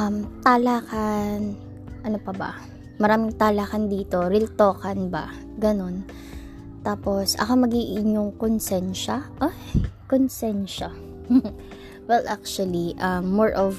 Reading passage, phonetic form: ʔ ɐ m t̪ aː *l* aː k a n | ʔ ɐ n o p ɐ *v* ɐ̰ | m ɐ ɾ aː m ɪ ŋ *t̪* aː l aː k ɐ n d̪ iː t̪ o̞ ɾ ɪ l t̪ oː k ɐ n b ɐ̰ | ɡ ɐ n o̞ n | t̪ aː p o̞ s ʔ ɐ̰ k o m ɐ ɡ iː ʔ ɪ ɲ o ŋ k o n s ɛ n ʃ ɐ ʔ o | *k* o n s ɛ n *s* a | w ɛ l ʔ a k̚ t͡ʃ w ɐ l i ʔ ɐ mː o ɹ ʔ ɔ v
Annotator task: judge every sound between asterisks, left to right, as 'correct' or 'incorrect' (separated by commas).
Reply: correct, incorrect, correct, correct, incorrect